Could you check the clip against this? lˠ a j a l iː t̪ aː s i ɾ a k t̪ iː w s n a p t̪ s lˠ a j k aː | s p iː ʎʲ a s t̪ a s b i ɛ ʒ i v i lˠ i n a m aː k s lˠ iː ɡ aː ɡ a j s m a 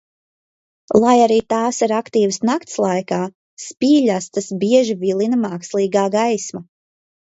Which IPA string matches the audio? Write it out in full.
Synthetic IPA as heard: lˠ a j a ɾ iː t̪ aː s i ɾ a k t̪ iː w s n a k t̪ s lˠ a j k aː | s p iː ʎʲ a s t̪ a s b i ɛ ʒ i v i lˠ i n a m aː k s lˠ iː ɡ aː ɡ a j s m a